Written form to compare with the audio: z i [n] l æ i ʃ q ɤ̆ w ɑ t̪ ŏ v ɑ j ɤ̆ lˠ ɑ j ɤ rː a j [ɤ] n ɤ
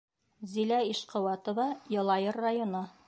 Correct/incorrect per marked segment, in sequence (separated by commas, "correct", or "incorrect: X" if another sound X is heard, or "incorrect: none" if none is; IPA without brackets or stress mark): incorrect: none, incorrect: o